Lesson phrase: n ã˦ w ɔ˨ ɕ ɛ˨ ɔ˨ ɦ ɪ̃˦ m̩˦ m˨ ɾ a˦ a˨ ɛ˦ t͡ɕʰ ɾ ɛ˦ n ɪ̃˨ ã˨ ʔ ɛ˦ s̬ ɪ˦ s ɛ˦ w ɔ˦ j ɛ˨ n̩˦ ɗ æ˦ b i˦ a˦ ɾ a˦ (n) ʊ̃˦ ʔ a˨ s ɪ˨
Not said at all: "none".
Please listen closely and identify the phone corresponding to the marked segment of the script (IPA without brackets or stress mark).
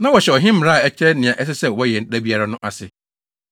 n